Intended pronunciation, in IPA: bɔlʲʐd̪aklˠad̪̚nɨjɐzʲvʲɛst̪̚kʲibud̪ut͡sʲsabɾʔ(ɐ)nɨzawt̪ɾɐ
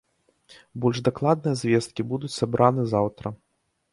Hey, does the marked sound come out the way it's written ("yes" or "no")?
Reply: no